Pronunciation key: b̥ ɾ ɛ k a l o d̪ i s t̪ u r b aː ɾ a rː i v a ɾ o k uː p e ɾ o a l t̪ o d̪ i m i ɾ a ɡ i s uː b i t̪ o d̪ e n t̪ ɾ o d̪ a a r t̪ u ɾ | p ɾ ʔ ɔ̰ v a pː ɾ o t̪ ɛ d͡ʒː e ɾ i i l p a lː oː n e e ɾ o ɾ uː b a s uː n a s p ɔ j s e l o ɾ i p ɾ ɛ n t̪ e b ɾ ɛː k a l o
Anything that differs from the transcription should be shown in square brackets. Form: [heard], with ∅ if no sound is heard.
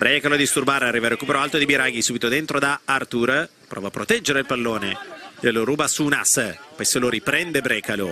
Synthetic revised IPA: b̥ ɾ ɛ k a l o d̪ i s t̪ u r b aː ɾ a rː i v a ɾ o k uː p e ɾ o a l t̪ o d̪ i [b] i ɾ a ɡ i s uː b i t̪ o d̪ e n t̪ ɾ o d̪ a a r t̪ u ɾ | p ɾ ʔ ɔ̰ v a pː ɾ o t̪ ɛ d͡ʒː e ɾ [e] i l p a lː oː n e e [l] o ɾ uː b a s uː n a s p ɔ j s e l o ɾ i p ɾ ɛ n [d̪] e b ɾ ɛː k a l o